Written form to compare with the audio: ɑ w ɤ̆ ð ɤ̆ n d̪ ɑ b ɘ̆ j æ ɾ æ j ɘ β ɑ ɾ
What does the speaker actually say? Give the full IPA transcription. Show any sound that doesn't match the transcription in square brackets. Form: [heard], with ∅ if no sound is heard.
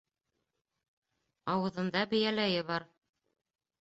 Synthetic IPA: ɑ w ɤ̆ ð ɤ̆ n d̪ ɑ b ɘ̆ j æ [l] æ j ɘ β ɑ ɾ